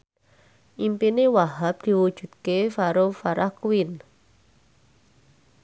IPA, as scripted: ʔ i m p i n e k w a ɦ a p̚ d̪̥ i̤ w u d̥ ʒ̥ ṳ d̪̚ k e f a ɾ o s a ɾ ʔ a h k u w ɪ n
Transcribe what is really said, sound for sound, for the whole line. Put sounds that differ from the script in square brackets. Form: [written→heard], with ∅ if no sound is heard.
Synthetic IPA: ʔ i m p i n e [k→∅] w a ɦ a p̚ d̪̥ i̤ w u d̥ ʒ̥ ṳ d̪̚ k e f a ɾ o [s→f] a ɾ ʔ a h k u w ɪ n